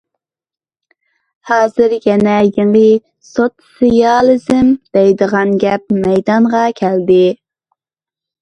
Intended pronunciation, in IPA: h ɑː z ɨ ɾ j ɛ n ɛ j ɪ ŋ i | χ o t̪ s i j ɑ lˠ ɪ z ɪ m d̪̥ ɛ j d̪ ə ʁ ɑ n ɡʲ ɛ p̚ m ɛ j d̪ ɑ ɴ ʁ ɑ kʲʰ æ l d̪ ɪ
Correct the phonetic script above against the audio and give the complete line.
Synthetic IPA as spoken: h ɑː z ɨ ɾ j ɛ n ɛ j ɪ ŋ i | s o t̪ s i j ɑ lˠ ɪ z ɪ m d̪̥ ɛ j d̪ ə ʁ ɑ n ɡʲ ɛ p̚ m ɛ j d̪ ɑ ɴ ʁ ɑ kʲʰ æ l d̪ ɪ